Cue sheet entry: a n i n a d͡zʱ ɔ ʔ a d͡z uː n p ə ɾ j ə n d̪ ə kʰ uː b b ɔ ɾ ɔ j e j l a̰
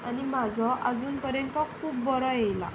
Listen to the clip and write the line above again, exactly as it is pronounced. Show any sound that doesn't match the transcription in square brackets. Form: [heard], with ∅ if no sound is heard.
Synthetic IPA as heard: a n i [m] a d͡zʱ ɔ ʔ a d͡z uː n p ə ɾ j ə n [t̪] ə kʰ uː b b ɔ ɾ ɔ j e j l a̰